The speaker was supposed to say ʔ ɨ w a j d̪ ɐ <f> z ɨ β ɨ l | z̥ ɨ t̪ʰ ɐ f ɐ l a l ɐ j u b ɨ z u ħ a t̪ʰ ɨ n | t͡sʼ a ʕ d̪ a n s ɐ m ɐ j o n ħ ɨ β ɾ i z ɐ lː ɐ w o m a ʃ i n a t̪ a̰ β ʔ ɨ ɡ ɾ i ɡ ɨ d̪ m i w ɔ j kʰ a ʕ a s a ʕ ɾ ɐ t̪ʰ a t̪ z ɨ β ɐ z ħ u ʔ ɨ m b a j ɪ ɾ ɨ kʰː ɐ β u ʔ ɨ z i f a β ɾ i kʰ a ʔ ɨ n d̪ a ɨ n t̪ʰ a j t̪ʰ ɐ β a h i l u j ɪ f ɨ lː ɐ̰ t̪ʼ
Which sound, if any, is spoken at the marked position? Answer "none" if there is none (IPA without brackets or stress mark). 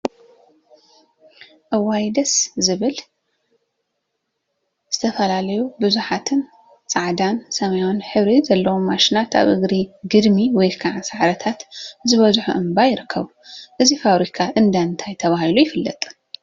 s